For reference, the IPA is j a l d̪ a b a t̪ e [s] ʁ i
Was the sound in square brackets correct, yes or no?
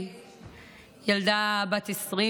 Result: yes